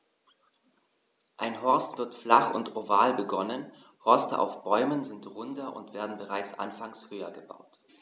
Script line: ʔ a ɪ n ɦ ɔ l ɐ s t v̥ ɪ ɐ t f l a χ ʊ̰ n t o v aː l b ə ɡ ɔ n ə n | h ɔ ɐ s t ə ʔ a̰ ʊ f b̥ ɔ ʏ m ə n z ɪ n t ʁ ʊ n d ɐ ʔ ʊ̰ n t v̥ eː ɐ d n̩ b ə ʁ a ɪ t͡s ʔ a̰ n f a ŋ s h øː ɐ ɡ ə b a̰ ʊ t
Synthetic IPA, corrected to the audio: ʔ a ɪ n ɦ ɔ ɐ s t v̥ ɪ ɐ t f l a χ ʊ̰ n t o v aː l b ə ɡ ɔ n ə n | h ɔ ɐ s t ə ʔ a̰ ʊ f b̥ ɔ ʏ m ə n z ɪ n t ʁ ʊ n d ɐ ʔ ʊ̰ n t v̥ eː ɐ d n̩ b ə ʁ a ɪ t͡s ʔ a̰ n f a ŋ s h øː ɐ ɡ ə b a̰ ʊ t